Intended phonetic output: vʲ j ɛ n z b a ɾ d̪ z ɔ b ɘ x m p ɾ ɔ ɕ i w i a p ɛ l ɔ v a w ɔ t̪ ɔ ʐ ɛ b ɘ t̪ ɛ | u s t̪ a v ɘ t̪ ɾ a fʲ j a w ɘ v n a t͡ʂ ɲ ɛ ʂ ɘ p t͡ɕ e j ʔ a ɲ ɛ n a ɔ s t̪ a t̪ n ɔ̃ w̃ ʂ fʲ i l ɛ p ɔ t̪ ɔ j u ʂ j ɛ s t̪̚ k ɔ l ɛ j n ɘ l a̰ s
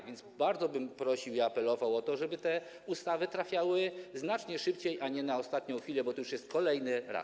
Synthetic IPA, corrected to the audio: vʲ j ɛ n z b a ɾ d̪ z ɔ b ɘ m p ɾ ɔ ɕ i w i a p ɛ l ɔ v a w ɔ t̪ ɔ ʐ ɛ b ɘ t̪ ɛ | u s t̪ a v ɘ t̪ ɾ a fʲ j a w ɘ z n a t͡ʂ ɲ ɛ ʂ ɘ p t͡ɕ e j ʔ a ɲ ɛ n a ɔ s t̪ a t̪ ɲ ɔ̃ w̃ x fʲ i l ɛ b ɔ t̪ ɔ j u ʂ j ɛ s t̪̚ k ɔ l ɛ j n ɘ ɾ a̰ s

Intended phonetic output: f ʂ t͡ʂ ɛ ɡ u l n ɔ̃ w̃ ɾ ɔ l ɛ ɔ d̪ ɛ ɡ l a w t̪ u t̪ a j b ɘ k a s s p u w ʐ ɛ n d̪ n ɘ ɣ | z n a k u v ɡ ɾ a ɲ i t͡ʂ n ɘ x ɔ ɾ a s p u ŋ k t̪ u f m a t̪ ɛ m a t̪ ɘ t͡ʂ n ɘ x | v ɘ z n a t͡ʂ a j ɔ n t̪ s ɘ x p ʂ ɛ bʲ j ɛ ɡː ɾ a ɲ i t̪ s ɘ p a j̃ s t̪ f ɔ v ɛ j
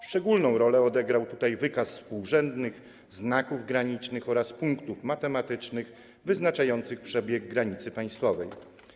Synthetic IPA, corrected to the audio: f ʂ t͡ʂ ɛ ɡ u l n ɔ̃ w̃ ɾ ɔ l ɛ ɔ d̪ ɛ ɡ ɾ a w t̪ u t̪ a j v ɘ k a s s p u w ʐ ɛ n d̪ n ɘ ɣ | z n a k u v ɡ ɾ a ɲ i t͡ʂ n ɘ x ɔ ɾ a s p u ŋ k t̪ u f m a t̪ ɛ m a t̪ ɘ t͡ʂ n ɘ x | v ɘ z n a t͡ʂ a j ɔ n t̪ s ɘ x p ʂ ɛ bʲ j ɛ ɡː ɾ a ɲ i t̪ s ɘ p a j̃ s t̪ f ɔ v ɛ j

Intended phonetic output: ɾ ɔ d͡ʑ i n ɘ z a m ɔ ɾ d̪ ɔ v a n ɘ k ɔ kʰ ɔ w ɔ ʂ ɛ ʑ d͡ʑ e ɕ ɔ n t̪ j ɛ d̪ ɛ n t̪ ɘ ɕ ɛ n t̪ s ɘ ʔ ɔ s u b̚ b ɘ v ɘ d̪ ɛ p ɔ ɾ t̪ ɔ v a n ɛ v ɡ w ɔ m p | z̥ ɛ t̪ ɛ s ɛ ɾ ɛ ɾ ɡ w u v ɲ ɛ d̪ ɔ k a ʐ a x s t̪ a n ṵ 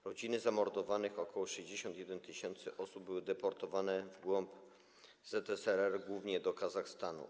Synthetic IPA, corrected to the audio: ɾ ɔ d͡ʑ i n ɘ z a m ɔ ɾ d̪ ɔ v a n ɘ x ɔ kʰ ɔ w ɔ ʂ ɛ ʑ d͡ʑ e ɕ ɔ n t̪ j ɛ d̪ ɛ n t̪ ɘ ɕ ɛ n t̪ s ɘ ʔ ɔ s u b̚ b ɘ w ɘ d̪ ɛ p ɔ ɾ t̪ ɔ v a n ɛ v ɡ w ɔ m p | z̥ ɛ t̪ ɛ s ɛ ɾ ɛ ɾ ɡ w u v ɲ ɛ d̪ ɔ k a z a x s t̪ a n ṵ

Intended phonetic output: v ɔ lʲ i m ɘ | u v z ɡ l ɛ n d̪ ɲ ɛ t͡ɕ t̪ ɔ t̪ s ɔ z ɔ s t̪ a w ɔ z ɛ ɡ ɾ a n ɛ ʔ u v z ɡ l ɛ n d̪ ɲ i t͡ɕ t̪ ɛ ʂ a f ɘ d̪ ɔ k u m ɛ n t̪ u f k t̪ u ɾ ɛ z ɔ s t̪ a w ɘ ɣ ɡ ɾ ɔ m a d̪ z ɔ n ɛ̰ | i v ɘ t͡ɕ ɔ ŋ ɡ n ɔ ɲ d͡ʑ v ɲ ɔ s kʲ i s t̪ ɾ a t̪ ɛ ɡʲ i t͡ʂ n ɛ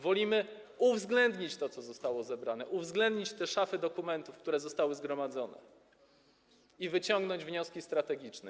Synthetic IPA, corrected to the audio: v ɔ lʲ i m ɘ | u v z ɡ l ɛ n d̪ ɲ i t͡ɕ t̪ ɔ t̪ s ɔ z ɔ s t̪ a w ɔ z ɛ b ɾ a n ɛ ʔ u v z ɡ l ɛ n d̪ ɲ i t͡ɕ t̪ ɛ ʂ a f ɘ d̪ ɔ k u m ɛ n t̪ u f k t̪ u ɾ ɛ z ɔ s t̪ a w ɘ z ɡ ɾ ɔ m a d̪ z ɔ n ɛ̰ | i v ɘ t͡ɕ ɔ ŋ ɡ n ɔ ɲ d͡ʑ v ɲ ɔ s kʲ i s t̪ ɾ a t̪ ɛ ɡʲ i t͡ʂ n ɛ

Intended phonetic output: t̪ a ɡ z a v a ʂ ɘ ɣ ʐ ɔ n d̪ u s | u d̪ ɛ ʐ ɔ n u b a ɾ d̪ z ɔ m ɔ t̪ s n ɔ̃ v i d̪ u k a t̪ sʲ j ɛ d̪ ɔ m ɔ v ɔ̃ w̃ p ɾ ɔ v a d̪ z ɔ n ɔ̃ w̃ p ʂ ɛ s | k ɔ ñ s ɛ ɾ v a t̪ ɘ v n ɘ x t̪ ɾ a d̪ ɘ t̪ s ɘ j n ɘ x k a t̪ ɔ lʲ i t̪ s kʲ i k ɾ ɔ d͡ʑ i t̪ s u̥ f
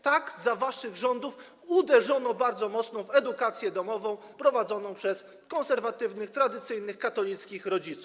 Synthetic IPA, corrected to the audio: t̪ a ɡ z a v a ʂ ɘ ɣ ʐ ɔ n d̪ u f | u d̪ ɛ ʐ ɔ n ɔ b a ɾ d̪ z ɔ m ɔ t̪ s n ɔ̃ v ɛ d̪ u k a t̪ sʲ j ɛ d̪ ɔ m ɔ v ɔ̃ w̃ p ɾ ɔ v a d̪ z ɔ n ɔ̃ w̃ p ʂ ɛ s | k ɔ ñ s ɛ ɾ v a t̪ ɘ v n ɘ x t̪ ɾ a d̪ ɘ t̪ s ɘ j n ɘ x k a t̪ ɔ lʲ i t̪ s kʲ i x ɾ ɔ d͡ʑ i t̪ s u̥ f

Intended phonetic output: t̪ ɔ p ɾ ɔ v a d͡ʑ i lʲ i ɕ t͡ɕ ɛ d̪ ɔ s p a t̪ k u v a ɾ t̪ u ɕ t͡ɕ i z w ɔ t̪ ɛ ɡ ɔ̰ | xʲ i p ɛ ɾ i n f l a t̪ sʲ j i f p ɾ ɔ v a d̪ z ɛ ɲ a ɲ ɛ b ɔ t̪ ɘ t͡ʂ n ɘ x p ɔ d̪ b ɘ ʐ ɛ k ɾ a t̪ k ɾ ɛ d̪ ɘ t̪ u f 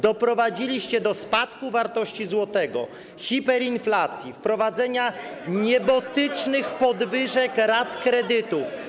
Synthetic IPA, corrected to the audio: d̪ ɔ p ɾ ɔ v a d͡ʑ i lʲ i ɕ t͡ɕ ɛ d̪ ɔ s p a t̪ k u v a ɾ t̪ ɔ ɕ t͡ɕ i z w ɔ t̪ ɛ ɡ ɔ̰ | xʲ i p ɛ ɾ i n f l a t̪ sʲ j i f p ɾ ɔ v a d̪ z ɛ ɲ a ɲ ɛ b ɔ t̪ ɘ t͡ʂ n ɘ x p ɔ d̪ v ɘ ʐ ɛ k ɾ a t̪ k ɾ ɛ d̪ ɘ t̪ u f

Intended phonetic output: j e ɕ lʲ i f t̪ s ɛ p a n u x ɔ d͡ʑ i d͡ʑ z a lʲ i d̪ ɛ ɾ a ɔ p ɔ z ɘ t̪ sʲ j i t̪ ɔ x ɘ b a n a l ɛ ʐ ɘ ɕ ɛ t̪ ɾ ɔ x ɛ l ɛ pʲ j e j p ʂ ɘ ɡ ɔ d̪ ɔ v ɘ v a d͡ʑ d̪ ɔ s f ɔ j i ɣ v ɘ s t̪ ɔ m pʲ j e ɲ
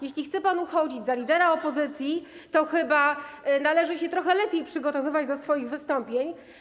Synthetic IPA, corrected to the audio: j e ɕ lʲ i x t̪ s ɛ p a n u x ɔ d͡ʑ i d͡ʑ z a lʲ i d̪ ɛ ɾ a ɔ p ɔ z ɘ t̪ sʲ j i t̪ ɔ x ɘ b a n a l ɛ ʐ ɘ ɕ ɛ t̪ ɾ ɔ x ɛ l ɛ pʲ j e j p ʂ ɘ ɡ ɔ t̪ ɔ v ɘ v a d͡ʑ d̪ ɔ s f ɔ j i ɣ v ɘ s t̪ ɔ m pʲ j e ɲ

